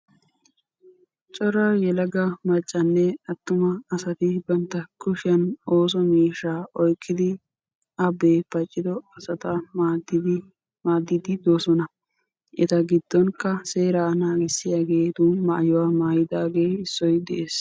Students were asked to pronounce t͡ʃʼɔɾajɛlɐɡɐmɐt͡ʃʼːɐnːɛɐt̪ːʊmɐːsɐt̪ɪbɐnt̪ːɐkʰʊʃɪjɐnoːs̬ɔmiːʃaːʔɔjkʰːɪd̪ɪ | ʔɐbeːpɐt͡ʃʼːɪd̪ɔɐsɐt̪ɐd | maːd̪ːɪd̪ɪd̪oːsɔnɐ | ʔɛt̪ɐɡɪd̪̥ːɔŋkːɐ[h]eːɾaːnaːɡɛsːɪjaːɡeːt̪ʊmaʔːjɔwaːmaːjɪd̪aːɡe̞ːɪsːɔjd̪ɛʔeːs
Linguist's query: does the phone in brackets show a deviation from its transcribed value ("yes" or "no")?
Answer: yes